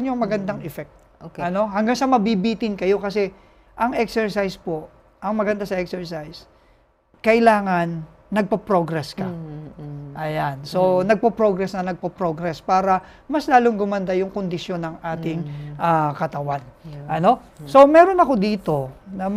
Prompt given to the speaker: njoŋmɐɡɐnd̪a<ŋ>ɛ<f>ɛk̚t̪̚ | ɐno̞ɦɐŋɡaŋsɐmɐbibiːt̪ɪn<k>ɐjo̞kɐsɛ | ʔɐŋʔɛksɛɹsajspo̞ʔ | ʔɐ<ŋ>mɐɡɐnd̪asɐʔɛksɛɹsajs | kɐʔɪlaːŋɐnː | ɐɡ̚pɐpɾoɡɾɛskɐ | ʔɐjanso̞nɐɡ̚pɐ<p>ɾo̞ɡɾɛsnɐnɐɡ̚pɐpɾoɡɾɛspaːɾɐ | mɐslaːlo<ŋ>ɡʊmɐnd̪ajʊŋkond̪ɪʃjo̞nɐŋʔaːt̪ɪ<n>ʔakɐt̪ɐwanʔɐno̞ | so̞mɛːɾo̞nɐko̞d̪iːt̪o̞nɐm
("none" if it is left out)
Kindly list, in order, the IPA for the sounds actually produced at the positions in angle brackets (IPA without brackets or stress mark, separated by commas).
ŋ, f, k, ŋ, p, ŋ, ŋ